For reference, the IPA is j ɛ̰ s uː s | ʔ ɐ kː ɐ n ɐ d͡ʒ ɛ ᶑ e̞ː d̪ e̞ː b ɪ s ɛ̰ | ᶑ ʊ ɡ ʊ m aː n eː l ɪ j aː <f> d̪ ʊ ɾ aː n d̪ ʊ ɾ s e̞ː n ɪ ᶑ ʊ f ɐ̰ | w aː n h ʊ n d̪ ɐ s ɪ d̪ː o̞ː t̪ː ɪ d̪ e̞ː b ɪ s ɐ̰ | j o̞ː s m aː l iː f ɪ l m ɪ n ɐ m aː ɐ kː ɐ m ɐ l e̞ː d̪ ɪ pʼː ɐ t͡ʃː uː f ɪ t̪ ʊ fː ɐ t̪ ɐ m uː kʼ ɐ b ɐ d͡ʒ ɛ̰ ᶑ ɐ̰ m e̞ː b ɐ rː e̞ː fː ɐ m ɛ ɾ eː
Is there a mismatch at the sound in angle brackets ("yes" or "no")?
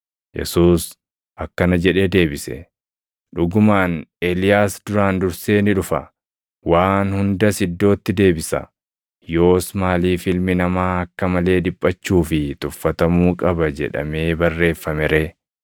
yes